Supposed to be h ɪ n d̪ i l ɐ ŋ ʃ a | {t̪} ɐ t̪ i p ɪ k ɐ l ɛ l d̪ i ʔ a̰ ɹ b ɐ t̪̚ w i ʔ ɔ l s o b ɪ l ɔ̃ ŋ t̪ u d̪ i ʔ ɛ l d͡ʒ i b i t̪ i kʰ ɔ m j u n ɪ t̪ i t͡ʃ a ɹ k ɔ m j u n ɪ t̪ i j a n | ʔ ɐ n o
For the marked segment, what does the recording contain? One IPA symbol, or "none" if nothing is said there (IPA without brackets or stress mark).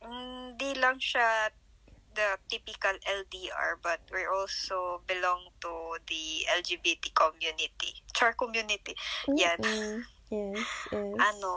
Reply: d̪